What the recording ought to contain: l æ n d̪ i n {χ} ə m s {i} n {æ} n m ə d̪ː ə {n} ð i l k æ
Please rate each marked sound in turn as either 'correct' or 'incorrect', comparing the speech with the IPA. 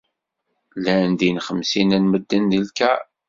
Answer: correct, correct, correct, correct

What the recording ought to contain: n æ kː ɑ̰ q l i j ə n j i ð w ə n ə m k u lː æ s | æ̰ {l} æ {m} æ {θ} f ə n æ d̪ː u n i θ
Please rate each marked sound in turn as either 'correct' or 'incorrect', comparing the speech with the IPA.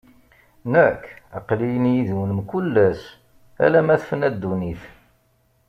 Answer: correct, correct, correct

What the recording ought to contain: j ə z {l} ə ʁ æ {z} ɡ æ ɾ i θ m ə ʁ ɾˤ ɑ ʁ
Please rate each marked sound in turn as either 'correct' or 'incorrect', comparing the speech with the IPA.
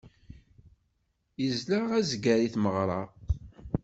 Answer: correct, correct

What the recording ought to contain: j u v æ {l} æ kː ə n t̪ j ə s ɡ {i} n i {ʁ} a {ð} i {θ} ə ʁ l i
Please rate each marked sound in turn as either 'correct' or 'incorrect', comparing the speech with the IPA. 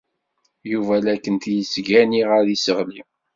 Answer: correct, incorrect, correct, correct, incorrect

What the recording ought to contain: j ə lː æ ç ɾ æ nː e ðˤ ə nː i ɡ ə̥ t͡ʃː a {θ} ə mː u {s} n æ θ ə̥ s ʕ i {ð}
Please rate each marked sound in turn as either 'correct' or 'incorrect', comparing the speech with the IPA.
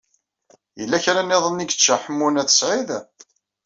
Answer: incorrect, incorrect, correct

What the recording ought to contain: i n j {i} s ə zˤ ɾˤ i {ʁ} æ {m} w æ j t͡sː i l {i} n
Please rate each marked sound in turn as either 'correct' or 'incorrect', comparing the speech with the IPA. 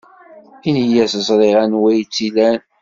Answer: incorrect, correct, incorrect, incorrect

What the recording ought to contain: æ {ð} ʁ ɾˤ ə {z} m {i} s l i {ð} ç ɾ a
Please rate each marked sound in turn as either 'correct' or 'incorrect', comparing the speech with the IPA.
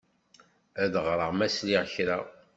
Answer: correct, incorrect, incorrect, incorrect

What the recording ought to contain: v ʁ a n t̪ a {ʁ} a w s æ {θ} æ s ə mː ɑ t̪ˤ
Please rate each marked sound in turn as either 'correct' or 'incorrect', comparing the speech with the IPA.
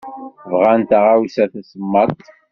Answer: correct, correct

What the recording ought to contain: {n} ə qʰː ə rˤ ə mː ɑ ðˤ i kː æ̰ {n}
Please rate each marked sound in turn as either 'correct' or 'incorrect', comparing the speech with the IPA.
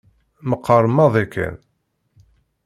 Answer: incorrect, correct

